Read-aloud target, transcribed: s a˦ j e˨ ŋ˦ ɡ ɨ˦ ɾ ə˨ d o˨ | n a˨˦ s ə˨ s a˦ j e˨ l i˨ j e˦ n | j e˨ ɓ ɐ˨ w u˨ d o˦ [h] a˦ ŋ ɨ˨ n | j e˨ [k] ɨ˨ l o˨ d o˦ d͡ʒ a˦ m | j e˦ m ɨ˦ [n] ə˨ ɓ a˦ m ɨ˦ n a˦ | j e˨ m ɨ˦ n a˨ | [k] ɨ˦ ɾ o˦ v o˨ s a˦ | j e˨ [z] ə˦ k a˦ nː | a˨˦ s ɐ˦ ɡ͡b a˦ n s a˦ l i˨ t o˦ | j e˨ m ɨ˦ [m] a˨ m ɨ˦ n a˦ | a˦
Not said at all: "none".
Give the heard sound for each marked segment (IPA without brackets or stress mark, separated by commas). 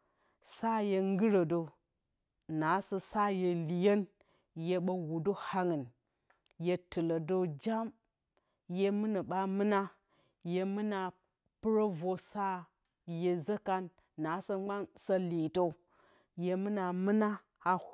h, t, n, p, z, n